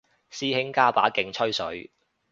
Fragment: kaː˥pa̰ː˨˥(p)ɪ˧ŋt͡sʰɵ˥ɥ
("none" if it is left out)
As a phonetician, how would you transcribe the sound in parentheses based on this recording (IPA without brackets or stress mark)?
k